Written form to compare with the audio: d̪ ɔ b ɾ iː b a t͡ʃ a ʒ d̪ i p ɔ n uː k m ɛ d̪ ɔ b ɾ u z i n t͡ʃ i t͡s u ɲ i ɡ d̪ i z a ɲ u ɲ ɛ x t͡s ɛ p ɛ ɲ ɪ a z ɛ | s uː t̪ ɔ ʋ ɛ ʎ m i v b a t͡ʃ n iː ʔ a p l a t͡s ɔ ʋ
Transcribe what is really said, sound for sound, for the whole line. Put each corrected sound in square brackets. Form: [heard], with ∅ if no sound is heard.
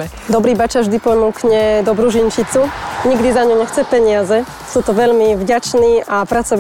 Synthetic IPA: d̪ ɔ b ɾ iː b a t͡ʃ a ʒ d̪ i p ɔ n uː k [ɲ] ɛ d̪ ɔ b ɾ u [ʒ] i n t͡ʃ i t͡s u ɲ i ɡ d̪ i z a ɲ u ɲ ɛ x t͡s ɛ p ɛ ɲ ɪ a z ɛ | s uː t̪ ɔ ʋ ɛ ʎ m i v [ɟ] a t͡ʃ n iː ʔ a p [ɾ] a t͡s ɔ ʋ